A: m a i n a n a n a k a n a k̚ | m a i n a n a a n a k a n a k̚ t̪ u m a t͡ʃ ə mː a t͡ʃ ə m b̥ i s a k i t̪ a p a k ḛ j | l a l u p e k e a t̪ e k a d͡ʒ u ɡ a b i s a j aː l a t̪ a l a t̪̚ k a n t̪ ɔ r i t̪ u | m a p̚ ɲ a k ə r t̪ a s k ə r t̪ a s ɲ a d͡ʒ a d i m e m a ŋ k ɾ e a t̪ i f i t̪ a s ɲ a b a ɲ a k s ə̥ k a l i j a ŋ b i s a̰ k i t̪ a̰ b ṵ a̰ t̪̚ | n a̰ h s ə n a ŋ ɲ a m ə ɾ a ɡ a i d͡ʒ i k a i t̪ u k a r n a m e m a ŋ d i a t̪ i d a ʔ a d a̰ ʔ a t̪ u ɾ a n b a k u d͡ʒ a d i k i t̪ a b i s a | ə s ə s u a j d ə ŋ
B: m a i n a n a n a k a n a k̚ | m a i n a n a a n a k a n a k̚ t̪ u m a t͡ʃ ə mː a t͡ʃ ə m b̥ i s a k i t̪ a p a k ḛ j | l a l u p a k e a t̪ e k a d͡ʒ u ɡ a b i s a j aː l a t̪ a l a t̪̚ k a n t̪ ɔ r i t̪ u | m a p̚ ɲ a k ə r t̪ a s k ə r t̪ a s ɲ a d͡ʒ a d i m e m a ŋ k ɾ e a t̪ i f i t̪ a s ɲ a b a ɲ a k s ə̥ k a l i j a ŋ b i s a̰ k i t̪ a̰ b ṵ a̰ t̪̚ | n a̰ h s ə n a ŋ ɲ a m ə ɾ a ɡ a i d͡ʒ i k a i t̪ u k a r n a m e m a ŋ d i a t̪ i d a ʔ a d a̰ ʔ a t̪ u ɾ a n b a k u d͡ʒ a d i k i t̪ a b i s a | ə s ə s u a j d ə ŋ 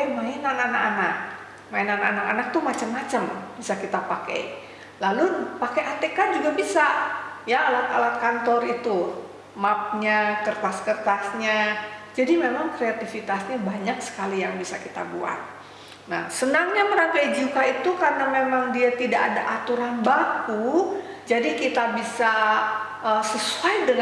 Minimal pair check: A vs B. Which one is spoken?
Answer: B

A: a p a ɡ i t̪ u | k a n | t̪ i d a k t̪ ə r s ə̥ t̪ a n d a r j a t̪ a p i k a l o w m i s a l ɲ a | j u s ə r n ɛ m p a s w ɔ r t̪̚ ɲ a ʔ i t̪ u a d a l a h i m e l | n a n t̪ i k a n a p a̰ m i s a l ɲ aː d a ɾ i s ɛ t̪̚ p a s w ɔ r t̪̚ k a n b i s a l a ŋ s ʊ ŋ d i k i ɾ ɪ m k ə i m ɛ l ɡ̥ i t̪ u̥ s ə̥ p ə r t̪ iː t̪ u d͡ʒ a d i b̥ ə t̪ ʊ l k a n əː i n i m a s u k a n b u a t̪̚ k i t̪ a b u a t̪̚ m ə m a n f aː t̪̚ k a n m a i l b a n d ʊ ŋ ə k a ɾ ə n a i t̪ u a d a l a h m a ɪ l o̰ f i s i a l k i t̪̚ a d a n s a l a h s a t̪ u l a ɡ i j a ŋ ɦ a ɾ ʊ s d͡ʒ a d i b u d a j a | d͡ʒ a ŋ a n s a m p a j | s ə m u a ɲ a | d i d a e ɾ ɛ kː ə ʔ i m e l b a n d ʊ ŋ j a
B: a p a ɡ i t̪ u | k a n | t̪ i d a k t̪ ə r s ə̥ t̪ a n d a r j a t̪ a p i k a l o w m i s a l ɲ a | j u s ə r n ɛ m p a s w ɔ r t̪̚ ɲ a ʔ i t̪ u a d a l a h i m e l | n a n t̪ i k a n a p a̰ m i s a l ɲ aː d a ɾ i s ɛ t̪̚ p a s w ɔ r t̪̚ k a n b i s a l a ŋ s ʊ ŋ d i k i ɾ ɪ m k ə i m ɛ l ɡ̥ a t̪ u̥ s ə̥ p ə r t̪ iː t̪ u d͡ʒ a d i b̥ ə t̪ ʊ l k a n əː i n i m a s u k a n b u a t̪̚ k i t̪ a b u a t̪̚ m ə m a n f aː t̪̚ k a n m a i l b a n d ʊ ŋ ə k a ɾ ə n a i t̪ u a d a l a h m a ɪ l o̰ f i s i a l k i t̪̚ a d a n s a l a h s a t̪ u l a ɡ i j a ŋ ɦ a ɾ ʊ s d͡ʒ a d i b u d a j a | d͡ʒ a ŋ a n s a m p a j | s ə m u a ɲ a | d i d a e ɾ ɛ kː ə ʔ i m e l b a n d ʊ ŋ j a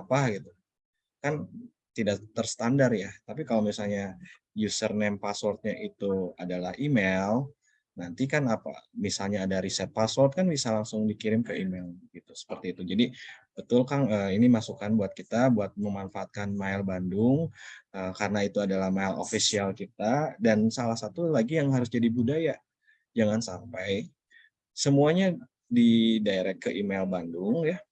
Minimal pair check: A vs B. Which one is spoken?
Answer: A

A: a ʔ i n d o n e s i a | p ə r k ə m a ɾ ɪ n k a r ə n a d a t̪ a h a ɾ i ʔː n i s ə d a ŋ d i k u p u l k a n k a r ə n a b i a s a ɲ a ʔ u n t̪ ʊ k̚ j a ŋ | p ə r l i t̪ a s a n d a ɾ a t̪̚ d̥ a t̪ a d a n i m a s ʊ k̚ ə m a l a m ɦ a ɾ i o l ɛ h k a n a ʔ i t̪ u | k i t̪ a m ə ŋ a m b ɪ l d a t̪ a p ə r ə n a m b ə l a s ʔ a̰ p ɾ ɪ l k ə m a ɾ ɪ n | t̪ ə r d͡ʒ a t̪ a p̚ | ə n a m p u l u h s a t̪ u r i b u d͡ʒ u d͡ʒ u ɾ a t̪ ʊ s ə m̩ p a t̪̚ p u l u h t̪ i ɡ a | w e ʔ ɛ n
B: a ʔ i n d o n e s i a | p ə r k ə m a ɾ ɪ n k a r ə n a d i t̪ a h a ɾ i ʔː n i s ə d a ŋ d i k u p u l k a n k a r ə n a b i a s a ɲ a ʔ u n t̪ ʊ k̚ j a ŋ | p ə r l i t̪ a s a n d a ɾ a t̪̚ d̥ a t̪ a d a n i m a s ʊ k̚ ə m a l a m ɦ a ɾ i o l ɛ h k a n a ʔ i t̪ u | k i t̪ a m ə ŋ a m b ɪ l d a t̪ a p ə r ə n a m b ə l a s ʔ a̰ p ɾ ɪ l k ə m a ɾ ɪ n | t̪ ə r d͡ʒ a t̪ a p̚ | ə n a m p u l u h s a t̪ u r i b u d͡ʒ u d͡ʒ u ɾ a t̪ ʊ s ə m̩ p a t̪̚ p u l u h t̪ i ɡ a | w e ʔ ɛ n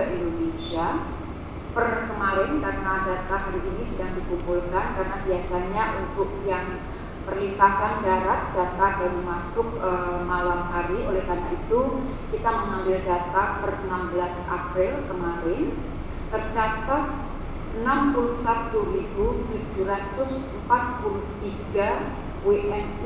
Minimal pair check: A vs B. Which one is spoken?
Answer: A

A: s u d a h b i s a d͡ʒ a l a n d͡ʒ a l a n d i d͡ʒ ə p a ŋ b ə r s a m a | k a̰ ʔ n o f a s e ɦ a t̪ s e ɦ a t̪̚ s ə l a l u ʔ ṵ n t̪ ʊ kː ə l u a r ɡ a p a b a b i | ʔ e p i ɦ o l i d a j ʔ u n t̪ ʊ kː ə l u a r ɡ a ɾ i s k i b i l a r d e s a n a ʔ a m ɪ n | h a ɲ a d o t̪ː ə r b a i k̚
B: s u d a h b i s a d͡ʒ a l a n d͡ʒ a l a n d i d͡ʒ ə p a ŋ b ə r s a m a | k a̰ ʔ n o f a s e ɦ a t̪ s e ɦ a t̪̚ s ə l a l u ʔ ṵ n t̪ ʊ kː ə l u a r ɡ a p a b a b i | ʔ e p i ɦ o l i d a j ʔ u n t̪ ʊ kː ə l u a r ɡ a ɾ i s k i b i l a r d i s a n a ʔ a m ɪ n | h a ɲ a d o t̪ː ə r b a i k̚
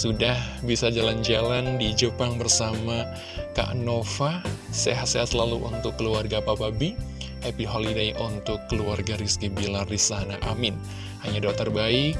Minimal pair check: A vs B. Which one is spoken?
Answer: B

